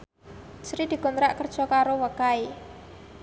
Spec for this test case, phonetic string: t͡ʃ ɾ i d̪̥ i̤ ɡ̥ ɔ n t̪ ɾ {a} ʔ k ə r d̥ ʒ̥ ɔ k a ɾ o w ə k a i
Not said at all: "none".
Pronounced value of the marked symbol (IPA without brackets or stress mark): a